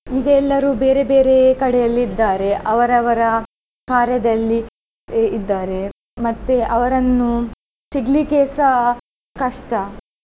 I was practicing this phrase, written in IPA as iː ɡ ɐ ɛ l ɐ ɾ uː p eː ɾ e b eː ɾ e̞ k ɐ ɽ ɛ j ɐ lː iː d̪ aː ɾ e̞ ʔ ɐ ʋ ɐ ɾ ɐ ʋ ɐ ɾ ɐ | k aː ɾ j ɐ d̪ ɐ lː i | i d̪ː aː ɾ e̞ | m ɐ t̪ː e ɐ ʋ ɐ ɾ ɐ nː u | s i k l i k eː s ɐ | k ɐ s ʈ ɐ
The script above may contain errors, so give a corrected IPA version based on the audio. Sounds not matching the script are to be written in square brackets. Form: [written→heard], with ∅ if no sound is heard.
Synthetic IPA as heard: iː ɡ ɐ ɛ [l→lː] ɐ ɾ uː [p→b] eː ɾ e b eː ɾ e̞ k ɐ ɽ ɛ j ɐ lː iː [d̪→d̪ː] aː ɾ e̞ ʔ ɐ ʋ ɐ ɾ ɐ ʋ ɐ ɾ ɐ | k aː ɾ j ɐ d̪ ɐ lː i | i d̪ː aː ɾ e̞ | m ɐ t̪ː e ɐ ʋ ɐ ɾ ɐ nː u | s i [k→ɡ] l i k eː s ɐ | k ɐ [s→ʂ] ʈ ɐ